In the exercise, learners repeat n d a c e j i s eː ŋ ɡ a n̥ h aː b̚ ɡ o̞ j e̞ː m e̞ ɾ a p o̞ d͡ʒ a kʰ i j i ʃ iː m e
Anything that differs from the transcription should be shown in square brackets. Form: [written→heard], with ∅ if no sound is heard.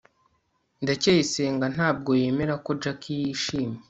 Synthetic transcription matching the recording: n d a c e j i s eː ŋ ɡ a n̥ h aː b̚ ɡ o̞ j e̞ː m e̞ ɾ a [p→k] o̞ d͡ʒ a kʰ i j i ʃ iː m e